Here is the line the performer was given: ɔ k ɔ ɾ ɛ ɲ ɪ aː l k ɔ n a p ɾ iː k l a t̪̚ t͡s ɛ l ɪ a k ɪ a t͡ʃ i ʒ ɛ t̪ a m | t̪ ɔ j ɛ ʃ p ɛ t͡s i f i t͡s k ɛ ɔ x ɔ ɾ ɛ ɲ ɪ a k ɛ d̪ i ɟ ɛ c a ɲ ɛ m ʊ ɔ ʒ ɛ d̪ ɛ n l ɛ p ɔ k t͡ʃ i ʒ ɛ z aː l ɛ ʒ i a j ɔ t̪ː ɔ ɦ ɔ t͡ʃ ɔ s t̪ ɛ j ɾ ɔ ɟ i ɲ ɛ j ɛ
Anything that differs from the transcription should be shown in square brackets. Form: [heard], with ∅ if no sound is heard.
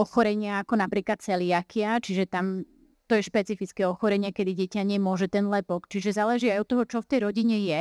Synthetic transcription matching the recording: ɔ [x] ɔ ɾ ɛ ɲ ɪ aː [∅] k ɔ n a p ɾ iː k l a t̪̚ t͡s ɛ l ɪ a k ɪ a t͡ʃ i ʒ ɛ t̪ a m | t̪ ɔ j ɛ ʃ p ɛ t͡s i f i t͡s k ɛ ɔ x ɔ ɾ ɛ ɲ ɪ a k ɛ d̪ i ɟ ɛ c a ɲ ɛ m ʊ ɔ ʒ ɛ [t̪] ɛ n l ɛ p ɔ k t͡ʃ i ʒ ɛ z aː l ɛ ʒ i a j ɔ t̪ː ɔ ɦ ɔ t͡ʃ ɔ [f] t̪ ɛ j ɾ ɔ ɟ i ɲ ɛ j ɛ